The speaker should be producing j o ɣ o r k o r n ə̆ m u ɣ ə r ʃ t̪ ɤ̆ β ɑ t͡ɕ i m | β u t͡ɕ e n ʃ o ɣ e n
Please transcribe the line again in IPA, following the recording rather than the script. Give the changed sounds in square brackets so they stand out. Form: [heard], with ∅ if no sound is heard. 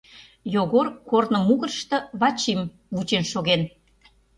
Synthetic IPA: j o ɣ o r k o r n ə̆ m u ɣ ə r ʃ t̪ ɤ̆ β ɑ t͡ɕ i m | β u t͡ɕ e n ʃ o ɣ e n